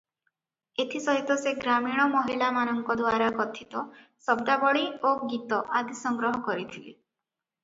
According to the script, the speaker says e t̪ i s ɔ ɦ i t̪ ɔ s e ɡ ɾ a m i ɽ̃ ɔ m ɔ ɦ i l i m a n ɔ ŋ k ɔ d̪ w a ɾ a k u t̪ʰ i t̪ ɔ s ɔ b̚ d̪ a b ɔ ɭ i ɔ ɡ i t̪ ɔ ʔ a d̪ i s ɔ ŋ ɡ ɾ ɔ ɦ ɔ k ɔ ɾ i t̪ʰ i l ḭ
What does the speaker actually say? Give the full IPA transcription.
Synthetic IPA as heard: e t̪ʰ i s ɔ ɦ i t̪ ɔ s e ɡ ɾ a m i ɽ̃ ɔ m ɔ ɦ i l a m a n ɔ ŋ k ɔ d̪ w a ɾ a k ɔ t̪ʰ i t̪ ɔ s ɔ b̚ d̪ a b ɔ ɭ i o ɡ i t̪ ɔ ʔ a d̪ i s ɔ ŋ ɡ ɾ ɔ ɦ ɔ k ɔ ɾ i t̪ʰ i l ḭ